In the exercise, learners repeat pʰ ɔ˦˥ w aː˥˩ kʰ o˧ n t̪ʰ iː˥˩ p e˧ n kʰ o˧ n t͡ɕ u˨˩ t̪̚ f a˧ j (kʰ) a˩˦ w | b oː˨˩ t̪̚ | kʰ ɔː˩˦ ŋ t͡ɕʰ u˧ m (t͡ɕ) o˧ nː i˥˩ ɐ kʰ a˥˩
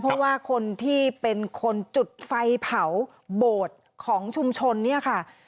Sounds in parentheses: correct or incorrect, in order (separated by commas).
incorrect, incorrect